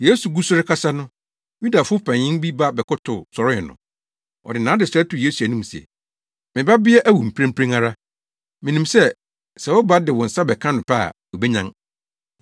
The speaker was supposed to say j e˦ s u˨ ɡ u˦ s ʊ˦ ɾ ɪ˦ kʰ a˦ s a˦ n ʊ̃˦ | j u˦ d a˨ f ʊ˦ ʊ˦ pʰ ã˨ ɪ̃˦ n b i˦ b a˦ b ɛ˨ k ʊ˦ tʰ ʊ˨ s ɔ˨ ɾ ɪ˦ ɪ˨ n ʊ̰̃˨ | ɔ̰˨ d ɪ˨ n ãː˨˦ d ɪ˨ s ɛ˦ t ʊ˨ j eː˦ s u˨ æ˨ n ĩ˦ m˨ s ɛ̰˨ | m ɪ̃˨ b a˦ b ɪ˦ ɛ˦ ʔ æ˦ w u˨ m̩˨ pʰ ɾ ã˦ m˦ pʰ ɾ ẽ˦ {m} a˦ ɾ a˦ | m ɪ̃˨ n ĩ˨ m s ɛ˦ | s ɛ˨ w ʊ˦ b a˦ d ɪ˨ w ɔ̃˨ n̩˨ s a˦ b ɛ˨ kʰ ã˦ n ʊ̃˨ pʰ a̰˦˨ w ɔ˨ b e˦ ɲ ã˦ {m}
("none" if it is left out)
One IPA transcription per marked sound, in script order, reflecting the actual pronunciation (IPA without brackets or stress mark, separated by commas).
ŋ, ŋ